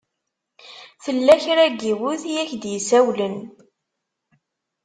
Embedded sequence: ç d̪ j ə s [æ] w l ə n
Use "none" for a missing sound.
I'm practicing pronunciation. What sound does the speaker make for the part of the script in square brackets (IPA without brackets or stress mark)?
æ